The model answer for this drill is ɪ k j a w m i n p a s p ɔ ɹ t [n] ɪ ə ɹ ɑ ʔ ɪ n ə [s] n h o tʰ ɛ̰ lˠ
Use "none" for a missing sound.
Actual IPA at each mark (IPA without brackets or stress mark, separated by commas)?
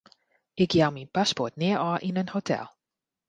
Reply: n, none